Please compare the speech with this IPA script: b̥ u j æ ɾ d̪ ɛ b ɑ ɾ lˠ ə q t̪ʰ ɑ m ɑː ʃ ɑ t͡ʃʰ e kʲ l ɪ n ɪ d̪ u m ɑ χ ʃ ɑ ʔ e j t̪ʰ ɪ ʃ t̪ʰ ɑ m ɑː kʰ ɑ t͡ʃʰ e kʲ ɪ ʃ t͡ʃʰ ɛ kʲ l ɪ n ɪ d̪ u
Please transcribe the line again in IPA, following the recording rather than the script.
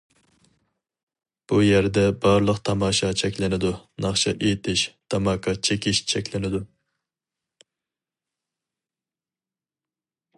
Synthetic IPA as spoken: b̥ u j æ ɾ d̪ ɛ b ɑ ɾ lˠ ə q t̪ʰ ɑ m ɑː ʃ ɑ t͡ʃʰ ɛ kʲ l ɪ n ɪ d̪ u n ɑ χ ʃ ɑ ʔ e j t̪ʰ ɪ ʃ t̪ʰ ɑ m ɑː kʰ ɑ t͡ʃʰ e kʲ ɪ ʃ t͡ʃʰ ɛ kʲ l ɪ n ɪ d̪ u